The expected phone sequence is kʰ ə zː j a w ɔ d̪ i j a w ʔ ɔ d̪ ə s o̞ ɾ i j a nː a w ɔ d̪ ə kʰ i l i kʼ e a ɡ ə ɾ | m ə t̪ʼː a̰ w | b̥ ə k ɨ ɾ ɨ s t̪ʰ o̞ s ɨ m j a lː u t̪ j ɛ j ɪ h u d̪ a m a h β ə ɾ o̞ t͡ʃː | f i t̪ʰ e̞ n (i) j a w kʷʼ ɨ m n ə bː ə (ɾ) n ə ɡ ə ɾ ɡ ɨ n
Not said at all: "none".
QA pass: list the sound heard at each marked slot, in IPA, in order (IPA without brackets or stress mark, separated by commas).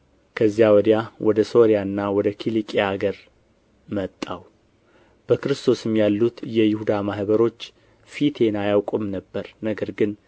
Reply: a, ɾ